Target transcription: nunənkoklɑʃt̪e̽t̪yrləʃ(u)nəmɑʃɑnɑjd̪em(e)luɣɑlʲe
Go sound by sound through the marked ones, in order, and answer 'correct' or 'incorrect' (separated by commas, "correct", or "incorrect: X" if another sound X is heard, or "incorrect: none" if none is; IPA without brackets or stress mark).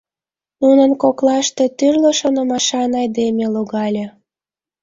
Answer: incorrect: o, correct